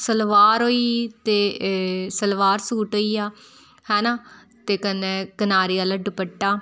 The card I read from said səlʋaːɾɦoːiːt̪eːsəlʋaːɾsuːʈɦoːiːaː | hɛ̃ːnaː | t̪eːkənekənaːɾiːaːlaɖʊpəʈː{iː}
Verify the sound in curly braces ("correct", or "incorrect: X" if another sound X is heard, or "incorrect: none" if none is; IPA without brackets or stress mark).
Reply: incorrect: aː